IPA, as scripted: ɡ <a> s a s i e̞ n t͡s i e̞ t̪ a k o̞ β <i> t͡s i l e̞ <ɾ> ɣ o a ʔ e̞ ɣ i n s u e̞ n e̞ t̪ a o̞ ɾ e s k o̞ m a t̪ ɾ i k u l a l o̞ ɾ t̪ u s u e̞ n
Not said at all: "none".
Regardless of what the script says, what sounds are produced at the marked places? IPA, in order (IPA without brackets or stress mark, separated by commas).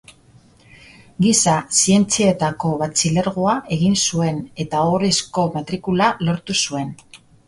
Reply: i, a, ɾ